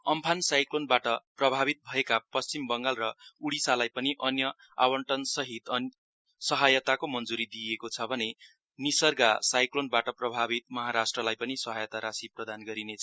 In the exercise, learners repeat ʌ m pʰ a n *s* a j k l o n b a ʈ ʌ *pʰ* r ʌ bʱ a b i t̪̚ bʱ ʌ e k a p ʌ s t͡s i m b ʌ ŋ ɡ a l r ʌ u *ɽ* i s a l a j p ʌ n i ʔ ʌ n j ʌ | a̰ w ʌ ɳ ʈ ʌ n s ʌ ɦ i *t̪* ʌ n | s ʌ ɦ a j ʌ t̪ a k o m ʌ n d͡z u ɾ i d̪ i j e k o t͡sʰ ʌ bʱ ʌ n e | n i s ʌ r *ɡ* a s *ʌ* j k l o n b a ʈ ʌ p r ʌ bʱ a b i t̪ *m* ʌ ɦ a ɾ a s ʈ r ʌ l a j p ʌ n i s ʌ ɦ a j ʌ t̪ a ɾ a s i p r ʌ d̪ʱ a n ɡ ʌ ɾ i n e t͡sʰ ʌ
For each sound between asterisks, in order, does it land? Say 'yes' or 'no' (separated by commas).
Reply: yes, no, yes, yes, yes, no, yes